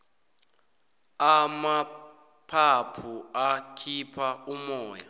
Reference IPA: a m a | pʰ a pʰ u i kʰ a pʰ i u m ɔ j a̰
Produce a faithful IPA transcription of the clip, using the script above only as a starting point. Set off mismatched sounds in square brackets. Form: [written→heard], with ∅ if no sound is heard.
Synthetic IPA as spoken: a m a | pʰ a pʰ u [i→a] kʰ [a→i] pʰ [i→a] u m [ɔ→ɔː] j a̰